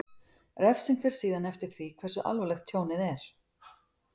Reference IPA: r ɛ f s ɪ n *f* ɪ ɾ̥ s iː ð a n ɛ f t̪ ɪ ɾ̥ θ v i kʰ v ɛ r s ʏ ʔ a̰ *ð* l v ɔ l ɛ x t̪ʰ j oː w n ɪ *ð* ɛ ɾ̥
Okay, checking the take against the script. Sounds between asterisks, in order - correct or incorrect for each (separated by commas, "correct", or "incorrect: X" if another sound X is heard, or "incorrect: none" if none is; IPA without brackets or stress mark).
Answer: correct, incorrect: none, correct